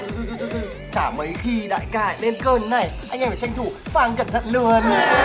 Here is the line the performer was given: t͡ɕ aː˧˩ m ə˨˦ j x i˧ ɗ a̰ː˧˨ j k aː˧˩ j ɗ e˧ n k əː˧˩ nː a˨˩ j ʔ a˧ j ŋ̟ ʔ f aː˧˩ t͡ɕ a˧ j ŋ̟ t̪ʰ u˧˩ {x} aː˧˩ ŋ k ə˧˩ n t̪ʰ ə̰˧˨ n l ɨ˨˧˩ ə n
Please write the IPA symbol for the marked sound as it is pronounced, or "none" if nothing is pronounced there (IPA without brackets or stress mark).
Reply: f